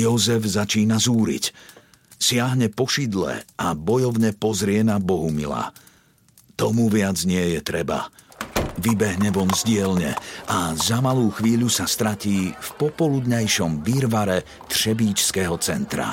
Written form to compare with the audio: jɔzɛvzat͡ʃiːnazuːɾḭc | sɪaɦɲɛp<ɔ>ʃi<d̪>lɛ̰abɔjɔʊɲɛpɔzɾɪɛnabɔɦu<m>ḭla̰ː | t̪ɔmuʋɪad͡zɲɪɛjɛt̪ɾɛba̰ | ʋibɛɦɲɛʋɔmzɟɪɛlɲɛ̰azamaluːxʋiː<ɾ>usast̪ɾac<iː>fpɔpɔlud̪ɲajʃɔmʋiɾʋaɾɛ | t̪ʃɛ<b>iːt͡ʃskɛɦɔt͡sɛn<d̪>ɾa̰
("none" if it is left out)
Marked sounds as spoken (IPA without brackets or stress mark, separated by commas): ɔ, d̪, m, ʎ, iː, b, t̪